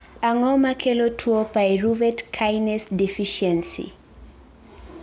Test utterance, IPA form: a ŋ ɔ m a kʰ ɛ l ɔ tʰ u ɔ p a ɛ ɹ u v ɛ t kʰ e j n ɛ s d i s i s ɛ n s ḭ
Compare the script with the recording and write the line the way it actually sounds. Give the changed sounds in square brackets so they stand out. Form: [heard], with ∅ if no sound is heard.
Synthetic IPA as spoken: a ŋ ɔ m a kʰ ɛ l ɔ tʰ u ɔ p a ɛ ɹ u v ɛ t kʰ [a] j n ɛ s d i [f] i [ʃ] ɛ n s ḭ